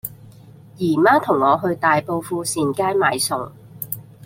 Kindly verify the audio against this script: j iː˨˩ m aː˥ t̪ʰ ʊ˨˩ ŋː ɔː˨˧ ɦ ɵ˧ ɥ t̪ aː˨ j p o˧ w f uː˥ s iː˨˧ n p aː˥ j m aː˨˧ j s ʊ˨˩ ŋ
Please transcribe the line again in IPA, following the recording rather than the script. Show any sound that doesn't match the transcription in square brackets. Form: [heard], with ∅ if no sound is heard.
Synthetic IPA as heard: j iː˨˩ m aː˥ t̪ʰ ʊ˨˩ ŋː ɔː˨˧ ɦ ɵ˧ ɥ t̪ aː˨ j p o˧ w f [uː˧] s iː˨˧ n [k] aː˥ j m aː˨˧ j s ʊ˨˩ ŋ